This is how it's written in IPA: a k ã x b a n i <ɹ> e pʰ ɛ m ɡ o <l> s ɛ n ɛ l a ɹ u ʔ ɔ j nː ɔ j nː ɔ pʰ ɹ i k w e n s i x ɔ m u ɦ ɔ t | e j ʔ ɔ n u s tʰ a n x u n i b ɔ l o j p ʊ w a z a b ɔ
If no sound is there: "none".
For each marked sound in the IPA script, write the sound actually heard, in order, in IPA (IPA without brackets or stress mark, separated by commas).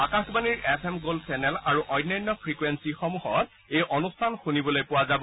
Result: ɹ, l